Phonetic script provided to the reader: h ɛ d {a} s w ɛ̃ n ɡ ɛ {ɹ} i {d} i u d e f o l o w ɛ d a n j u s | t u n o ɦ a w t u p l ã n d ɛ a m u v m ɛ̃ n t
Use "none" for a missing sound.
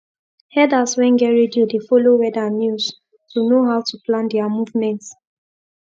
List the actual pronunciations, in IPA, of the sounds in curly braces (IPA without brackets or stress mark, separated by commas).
a, ɹ, d